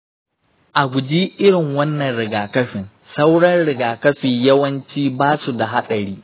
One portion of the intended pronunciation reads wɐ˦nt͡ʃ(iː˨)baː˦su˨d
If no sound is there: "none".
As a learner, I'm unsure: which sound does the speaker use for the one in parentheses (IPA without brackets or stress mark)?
iː˦